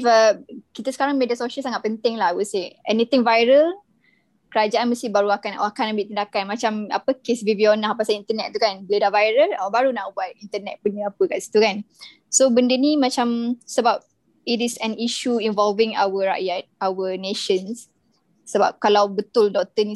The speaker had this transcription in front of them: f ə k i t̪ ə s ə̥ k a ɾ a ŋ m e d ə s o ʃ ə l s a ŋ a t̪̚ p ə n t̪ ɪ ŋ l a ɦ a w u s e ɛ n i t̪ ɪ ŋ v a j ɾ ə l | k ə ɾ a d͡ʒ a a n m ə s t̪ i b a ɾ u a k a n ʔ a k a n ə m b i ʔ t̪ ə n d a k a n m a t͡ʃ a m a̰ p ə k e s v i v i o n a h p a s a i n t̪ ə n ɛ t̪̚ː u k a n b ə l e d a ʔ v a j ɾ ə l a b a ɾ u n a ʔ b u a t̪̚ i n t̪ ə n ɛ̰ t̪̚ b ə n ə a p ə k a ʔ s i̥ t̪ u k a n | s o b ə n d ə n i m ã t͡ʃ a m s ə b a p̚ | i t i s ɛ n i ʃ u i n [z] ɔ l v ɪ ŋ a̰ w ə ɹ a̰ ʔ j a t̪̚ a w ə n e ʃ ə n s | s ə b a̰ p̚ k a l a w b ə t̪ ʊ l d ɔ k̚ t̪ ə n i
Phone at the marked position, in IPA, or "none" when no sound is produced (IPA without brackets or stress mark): v